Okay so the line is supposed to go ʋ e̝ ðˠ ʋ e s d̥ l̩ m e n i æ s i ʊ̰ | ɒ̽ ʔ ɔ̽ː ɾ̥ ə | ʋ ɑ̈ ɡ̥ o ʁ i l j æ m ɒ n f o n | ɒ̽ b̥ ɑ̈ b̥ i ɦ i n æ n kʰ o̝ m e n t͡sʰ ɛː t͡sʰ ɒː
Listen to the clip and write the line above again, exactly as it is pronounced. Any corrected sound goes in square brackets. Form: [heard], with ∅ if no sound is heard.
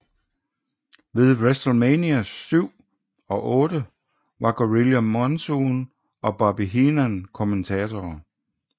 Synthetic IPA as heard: ʋ e̝ ðˠ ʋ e s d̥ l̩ m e n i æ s [y] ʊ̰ | ɒ̽ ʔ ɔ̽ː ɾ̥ ə | ʋ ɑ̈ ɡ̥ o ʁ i l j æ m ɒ n [s] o n | ɒ̽ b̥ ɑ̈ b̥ i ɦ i n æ n kʰ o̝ m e n t͡sʰ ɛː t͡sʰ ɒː